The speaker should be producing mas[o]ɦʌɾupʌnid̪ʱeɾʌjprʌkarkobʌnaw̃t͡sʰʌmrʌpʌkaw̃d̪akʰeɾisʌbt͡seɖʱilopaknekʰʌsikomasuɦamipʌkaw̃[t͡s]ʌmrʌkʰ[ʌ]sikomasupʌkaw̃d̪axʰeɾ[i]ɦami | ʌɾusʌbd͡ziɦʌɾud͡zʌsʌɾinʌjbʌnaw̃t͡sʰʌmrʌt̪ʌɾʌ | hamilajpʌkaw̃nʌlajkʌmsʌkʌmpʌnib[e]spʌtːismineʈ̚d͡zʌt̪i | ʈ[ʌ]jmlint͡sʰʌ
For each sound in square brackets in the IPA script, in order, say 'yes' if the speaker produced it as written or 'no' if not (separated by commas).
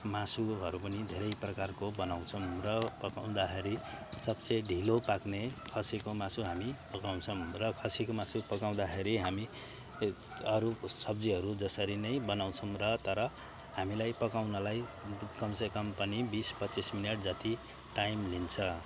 no, no, yes, yes, no, no